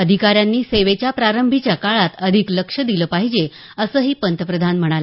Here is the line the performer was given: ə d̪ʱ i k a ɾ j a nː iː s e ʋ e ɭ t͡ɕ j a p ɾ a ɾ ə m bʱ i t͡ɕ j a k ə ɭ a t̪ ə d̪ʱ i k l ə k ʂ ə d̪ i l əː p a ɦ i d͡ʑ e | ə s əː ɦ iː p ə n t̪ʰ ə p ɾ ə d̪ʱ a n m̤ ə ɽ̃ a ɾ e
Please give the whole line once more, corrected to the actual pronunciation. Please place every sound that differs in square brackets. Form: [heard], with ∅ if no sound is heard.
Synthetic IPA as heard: ə d̪ʱ i k a ɾ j a nː iː s e ʋ e [∅] t͡ɕ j a p ɾ a ɾ ə m bʱ i t͡ɕ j a k [a] ɭ a t̪ ə d̪ʱ i k l ə k ʂ ə d̪ i l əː p a ɦ i d͡ʑ e | ə s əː ɦ iː p ə n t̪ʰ ə p ɾ ə d̪ʱ a n m̤ ə ɽ̃ a [l] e